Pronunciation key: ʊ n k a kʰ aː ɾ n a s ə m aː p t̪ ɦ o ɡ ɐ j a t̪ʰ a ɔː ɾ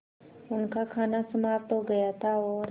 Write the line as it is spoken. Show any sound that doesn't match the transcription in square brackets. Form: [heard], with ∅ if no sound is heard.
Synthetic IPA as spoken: ʊ n k a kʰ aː [∅] n a s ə m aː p t̪ ɦ o ɡ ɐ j a t̪ʰ a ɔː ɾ